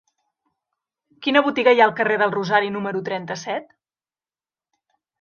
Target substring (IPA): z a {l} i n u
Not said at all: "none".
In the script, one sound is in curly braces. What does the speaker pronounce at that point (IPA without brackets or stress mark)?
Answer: ɾ